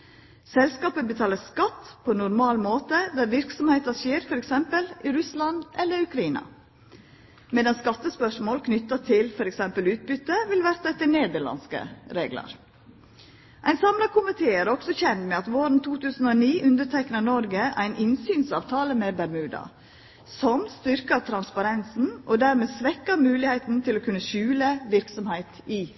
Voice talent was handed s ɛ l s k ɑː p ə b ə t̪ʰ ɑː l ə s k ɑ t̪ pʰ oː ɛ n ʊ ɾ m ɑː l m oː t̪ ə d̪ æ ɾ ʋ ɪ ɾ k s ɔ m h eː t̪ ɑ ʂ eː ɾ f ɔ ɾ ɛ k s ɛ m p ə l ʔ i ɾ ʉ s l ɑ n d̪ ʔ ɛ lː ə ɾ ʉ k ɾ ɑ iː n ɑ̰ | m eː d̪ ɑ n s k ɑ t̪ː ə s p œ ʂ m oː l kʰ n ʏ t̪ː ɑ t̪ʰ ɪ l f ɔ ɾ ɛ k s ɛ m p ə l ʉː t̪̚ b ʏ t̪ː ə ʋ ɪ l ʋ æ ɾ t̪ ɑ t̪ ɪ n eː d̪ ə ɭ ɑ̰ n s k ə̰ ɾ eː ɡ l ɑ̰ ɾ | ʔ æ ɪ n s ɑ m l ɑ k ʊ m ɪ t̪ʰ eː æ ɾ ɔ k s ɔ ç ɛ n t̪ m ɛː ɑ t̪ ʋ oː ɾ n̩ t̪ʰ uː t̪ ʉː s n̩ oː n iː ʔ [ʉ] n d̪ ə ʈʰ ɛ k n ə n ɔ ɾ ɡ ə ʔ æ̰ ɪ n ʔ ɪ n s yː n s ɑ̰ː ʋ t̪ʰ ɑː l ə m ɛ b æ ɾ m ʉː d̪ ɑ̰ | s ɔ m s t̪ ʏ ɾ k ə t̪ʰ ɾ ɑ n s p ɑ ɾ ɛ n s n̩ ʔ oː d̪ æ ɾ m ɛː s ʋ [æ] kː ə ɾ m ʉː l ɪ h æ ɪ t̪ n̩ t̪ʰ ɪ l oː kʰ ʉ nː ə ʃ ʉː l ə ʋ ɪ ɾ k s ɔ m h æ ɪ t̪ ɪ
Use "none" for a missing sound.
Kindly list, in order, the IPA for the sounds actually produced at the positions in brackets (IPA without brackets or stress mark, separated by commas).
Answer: ʉ, ɛ